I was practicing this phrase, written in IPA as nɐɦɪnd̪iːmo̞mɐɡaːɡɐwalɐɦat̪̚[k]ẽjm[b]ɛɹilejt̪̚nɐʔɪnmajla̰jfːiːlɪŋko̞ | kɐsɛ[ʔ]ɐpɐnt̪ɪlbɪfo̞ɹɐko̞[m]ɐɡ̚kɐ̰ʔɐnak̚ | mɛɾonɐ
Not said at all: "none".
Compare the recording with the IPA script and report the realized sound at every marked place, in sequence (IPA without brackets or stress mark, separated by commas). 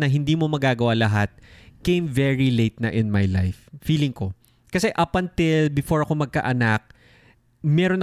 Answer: k, v, ʔ, m